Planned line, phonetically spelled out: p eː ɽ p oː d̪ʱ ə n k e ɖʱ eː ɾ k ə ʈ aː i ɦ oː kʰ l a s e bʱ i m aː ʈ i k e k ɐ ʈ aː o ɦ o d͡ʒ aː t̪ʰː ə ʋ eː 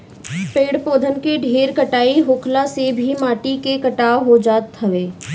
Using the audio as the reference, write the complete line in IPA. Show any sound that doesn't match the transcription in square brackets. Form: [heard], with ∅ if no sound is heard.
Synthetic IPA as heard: p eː ɽ p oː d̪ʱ ə n k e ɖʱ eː ɾ k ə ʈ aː i ɦ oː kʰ l a s e bʱ i m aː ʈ i k e k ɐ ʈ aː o ɦ o d͡ʒ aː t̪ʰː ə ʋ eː